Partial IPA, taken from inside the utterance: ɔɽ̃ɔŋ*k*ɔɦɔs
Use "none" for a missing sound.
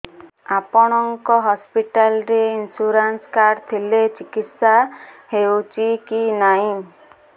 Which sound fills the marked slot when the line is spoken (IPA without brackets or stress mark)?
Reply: k